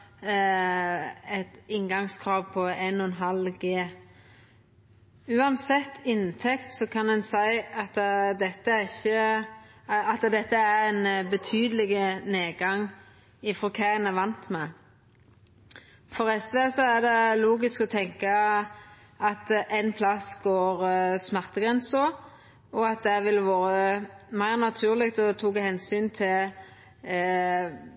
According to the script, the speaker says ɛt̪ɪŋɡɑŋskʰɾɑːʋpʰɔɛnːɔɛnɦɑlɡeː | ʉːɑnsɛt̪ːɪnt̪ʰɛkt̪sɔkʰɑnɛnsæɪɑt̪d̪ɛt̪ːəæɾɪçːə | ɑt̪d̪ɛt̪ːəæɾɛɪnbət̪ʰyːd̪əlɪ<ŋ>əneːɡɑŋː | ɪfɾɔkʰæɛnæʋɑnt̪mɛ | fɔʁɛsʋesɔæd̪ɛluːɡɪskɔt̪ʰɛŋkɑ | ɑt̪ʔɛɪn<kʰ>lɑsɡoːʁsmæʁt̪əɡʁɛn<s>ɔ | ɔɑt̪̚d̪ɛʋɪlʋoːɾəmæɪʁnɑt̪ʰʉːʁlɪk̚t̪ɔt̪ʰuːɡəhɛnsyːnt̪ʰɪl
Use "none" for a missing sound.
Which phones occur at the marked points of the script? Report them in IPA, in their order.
ɡ, pʰ, s

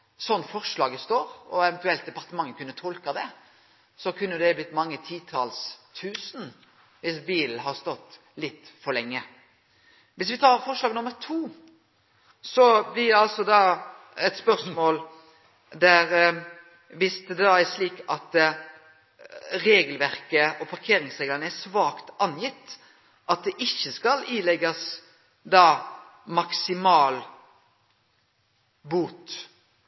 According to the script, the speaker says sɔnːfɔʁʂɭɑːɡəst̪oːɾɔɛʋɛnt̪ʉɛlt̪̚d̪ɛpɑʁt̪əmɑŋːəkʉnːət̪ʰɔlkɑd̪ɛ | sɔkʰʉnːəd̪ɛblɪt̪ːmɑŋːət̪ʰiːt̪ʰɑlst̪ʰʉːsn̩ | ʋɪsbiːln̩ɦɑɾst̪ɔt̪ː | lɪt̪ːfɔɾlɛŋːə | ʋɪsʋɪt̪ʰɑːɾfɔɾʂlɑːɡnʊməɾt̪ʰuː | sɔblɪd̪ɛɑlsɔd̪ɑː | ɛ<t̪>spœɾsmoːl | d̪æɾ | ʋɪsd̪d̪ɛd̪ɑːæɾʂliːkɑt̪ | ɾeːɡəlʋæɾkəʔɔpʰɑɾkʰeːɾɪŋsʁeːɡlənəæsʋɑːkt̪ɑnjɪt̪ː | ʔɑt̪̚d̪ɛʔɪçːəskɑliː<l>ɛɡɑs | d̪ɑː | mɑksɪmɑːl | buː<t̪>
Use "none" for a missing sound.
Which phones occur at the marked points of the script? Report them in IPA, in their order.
t̪, l, t̪

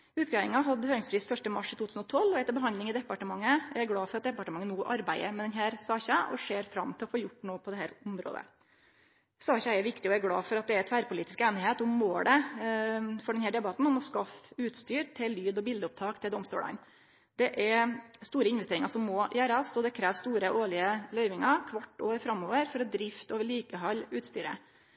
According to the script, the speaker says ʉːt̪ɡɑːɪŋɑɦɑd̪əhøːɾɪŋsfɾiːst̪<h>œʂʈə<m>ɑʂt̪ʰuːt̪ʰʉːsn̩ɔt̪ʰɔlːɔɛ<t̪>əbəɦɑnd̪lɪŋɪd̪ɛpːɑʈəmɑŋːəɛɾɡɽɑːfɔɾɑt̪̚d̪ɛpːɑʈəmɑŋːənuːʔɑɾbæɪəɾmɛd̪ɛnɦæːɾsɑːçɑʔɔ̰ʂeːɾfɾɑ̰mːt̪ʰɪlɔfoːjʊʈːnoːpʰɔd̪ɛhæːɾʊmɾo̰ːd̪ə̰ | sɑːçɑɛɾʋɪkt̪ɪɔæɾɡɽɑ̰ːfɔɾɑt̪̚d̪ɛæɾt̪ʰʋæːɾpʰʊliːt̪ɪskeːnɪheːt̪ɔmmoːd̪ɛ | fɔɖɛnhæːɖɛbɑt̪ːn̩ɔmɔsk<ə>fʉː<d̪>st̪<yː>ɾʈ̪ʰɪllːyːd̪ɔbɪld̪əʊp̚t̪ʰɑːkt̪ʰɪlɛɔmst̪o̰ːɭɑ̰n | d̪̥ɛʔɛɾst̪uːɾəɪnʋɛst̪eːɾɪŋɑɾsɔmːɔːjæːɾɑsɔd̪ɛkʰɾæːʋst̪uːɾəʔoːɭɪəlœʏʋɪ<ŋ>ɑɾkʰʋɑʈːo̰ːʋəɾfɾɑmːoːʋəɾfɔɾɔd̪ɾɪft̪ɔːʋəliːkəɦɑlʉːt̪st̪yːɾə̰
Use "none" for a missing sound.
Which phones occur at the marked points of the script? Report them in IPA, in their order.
f, m, t̪, ɑ, t̪, yː, ŋ

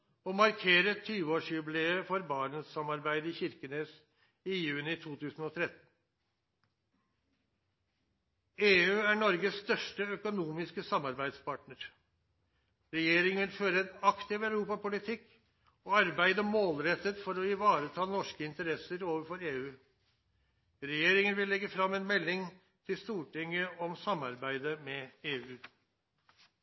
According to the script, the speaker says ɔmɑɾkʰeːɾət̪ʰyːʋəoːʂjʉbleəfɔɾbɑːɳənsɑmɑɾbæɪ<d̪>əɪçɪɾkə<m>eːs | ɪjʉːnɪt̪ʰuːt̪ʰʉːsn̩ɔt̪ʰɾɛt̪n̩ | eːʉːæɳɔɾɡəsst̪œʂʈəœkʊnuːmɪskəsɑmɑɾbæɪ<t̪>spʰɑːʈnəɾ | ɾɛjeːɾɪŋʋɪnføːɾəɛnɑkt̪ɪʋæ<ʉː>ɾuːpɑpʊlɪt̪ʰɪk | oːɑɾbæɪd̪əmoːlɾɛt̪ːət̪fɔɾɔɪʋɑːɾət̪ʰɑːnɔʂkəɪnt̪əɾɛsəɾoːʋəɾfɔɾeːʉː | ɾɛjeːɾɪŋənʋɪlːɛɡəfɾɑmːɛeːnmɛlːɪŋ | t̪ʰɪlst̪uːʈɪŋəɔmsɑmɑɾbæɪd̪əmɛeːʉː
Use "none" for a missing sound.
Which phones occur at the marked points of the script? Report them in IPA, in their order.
d̪, n, d̪, ʉ

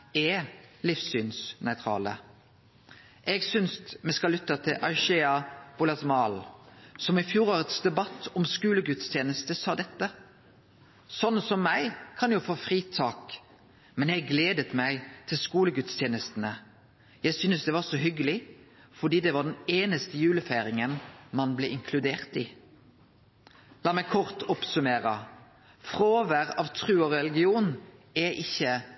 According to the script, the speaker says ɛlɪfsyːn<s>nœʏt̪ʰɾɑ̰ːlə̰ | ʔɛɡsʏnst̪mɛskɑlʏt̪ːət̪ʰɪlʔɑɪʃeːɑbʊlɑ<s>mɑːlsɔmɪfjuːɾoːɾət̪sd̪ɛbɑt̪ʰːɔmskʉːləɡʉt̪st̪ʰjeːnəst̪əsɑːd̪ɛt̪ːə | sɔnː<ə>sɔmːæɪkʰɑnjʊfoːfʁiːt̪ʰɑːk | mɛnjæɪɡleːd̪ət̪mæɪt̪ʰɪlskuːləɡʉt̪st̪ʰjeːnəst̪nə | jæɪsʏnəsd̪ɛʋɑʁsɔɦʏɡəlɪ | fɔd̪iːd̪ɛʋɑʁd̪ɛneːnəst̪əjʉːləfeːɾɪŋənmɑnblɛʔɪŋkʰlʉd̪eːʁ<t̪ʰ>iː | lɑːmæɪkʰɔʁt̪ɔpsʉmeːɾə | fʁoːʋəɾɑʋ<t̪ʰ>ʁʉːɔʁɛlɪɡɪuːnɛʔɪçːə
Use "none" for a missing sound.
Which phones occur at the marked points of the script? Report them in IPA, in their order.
s, s, ə, t̪, t̪ʰ

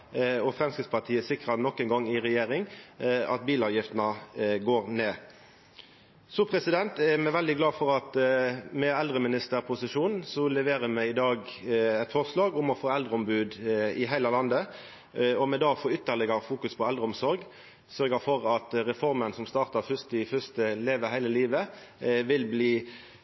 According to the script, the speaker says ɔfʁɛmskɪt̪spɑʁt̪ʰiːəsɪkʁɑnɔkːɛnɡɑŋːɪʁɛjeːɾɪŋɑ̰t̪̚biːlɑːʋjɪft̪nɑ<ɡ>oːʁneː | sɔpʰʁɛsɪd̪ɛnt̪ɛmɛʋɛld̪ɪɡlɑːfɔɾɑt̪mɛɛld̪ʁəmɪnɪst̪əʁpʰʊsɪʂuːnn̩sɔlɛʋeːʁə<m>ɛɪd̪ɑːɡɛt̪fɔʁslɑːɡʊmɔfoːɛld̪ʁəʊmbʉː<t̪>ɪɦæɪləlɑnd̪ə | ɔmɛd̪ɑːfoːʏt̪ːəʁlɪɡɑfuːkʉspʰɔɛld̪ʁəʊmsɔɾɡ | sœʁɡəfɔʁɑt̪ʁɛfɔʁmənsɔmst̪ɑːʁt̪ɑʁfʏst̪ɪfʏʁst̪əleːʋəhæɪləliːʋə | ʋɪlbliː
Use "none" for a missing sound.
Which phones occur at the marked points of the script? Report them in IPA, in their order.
ɡ, m, d̪

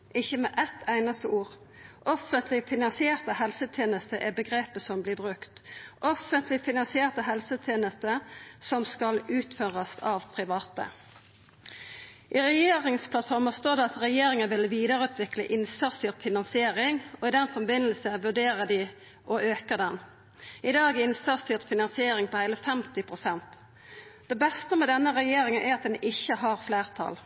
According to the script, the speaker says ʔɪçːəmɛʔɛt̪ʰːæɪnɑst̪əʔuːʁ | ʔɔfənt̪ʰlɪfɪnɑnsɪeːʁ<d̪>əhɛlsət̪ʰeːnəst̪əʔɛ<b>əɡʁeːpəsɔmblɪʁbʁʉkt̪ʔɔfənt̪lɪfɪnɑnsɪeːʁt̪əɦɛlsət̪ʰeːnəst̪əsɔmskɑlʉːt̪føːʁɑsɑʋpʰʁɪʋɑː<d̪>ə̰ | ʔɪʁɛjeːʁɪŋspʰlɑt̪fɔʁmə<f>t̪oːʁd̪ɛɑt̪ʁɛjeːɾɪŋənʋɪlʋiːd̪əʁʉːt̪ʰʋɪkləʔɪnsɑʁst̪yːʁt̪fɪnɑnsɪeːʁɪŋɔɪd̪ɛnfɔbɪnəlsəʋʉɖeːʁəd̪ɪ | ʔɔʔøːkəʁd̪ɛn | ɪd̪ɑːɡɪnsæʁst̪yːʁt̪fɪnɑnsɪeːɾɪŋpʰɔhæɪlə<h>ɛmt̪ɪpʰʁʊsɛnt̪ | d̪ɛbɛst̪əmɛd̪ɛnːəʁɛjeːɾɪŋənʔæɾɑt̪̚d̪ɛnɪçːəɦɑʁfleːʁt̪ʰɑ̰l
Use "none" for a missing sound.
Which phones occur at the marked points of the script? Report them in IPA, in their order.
t̪, b, t̪, s, f

